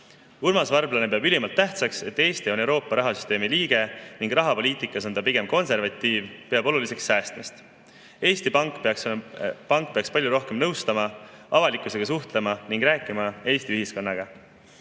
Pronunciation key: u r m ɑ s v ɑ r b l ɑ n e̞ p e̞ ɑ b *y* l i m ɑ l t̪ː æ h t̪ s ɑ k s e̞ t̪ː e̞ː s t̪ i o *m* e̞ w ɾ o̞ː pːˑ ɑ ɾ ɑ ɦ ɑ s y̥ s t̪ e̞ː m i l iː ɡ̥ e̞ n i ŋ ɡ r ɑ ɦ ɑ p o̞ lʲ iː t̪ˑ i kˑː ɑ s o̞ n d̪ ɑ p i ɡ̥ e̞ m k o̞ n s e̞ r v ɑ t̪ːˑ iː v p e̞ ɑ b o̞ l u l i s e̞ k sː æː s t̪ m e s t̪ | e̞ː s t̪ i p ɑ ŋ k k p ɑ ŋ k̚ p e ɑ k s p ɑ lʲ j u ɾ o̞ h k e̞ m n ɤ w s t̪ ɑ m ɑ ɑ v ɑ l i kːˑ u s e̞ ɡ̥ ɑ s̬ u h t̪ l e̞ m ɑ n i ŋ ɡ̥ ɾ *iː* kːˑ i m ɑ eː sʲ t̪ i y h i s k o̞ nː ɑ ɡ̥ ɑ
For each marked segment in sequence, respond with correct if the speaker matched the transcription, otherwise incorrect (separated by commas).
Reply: correct, incorrect, incorrect